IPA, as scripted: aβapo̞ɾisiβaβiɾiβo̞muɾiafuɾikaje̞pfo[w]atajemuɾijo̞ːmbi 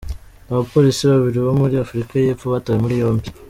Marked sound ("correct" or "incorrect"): incorrect